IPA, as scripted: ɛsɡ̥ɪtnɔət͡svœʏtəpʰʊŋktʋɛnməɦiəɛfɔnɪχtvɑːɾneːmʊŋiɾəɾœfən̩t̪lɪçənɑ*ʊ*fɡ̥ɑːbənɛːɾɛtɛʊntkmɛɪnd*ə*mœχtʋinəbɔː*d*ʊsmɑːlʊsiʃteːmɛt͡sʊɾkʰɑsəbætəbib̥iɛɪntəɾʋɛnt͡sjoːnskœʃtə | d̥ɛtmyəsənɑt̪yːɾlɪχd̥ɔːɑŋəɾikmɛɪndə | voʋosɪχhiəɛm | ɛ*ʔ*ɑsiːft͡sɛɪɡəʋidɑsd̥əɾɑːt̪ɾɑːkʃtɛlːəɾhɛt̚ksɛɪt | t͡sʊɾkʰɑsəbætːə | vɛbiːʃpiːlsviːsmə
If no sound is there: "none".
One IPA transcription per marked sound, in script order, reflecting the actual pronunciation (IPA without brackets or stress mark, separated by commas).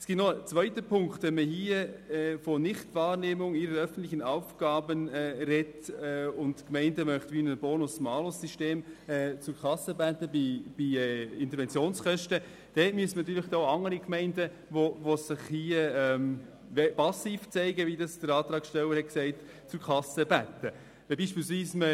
ʊ, ə, n, p